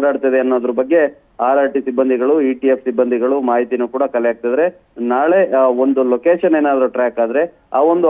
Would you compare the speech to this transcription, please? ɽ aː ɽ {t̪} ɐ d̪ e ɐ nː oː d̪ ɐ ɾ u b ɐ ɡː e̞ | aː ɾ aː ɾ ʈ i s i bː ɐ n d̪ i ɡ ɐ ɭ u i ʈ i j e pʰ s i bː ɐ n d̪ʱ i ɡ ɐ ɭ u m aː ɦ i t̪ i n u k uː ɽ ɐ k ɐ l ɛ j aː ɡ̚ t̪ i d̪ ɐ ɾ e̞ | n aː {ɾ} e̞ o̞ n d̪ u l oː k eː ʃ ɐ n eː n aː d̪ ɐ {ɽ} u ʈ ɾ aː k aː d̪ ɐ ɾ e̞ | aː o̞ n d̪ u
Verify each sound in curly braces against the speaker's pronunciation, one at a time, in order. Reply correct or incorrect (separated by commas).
correct, incorrect, incorrect